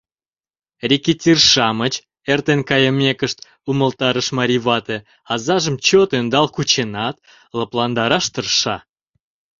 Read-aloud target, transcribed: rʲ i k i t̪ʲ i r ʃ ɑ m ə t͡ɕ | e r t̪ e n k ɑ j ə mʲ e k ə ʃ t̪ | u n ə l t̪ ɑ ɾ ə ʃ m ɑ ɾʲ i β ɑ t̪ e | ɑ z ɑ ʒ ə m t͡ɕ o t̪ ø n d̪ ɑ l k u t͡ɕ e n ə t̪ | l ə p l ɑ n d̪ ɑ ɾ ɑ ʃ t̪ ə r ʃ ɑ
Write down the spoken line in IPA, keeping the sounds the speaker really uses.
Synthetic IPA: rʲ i k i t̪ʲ i r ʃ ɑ m ə t͡ɕ | e r t̪ e n k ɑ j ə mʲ e k ə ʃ t̪ | u m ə l t̪ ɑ ɾ ə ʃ m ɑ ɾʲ i β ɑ t̪ e | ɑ z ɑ ʒ ə m t͡ɕ o t̪ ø n d̪ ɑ l k u t͡ɕ e n ɑ t̪ | l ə p l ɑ n d̪ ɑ ɾ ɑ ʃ t̪ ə r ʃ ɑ